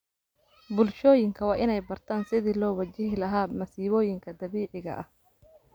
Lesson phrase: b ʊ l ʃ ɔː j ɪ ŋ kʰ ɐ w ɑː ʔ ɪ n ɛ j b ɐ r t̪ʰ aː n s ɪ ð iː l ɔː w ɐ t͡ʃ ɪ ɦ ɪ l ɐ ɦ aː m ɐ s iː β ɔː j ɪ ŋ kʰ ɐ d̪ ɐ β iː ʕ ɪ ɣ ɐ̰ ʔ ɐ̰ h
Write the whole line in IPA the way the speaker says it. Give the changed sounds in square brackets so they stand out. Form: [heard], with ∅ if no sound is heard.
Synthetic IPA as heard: b ʊ l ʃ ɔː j ɪ ŋ kʰ ɐ w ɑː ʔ ɪ n ɛ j b ɐ r t̪ʰ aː n s ɪ ð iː l ɔː w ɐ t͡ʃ ɪ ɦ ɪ l ɐ ɦ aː m ɐ s iː β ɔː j ɪ ŋ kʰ ɐ d̪ ɐ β iː ʕ ɪ ɣ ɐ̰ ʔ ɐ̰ h